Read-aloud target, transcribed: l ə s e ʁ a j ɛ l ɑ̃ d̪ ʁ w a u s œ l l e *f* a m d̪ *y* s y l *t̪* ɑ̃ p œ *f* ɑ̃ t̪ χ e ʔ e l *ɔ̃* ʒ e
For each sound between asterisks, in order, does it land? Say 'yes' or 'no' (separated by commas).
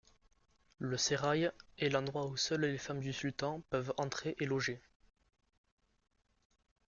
yes, yes, yes, no, no